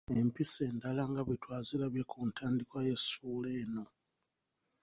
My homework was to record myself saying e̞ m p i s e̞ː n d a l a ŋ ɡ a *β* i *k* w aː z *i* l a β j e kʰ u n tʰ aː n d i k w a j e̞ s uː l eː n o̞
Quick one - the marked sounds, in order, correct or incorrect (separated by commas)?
correct, incorrect, correct